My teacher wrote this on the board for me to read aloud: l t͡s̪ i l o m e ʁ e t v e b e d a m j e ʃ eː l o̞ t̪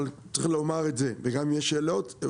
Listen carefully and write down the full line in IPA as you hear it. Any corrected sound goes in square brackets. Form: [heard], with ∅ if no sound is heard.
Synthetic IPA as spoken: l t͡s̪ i l o m [a] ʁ e t [z] e [v] e [ɡ] a m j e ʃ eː l o̞ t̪